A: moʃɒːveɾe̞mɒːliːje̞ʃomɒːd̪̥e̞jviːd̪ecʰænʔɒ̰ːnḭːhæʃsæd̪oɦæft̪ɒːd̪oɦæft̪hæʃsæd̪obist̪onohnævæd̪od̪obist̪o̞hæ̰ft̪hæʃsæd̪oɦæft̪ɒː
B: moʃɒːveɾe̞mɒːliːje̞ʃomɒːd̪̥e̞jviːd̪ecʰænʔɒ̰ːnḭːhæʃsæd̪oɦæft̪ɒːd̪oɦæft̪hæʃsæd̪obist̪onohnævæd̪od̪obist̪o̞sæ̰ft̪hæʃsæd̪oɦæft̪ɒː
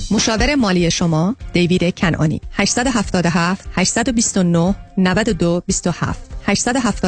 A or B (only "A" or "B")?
A